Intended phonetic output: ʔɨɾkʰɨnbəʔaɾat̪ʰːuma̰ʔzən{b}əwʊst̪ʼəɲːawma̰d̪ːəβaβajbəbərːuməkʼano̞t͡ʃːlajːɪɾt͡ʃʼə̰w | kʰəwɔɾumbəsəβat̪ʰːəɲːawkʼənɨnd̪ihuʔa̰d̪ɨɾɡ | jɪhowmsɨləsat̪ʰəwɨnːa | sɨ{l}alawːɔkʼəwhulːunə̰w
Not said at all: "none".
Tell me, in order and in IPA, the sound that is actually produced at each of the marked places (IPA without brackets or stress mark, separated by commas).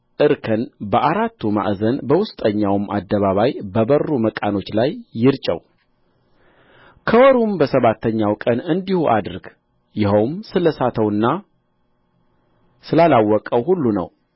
b, l